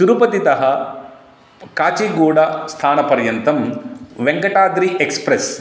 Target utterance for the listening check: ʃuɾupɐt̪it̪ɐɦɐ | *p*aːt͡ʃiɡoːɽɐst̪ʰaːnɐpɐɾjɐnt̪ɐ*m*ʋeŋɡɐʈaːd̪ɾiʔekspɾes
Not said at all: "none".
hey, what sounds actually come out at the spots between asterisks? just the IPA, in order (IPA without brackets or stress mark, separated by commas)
k, m